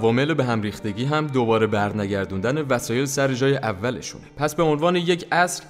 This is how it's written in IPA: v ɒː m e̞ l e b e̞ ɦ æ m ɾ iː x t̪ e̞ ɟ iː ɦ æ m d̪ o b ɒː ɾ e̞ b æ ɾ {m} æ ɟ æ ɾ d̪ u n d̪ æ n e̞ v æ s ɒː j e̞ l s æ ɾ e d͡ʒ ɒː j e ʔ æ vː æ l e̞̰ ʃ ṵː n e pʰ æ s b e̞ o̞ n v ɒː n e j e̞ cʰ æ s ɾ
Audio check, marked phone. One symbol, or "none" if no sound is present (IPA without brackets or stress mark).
n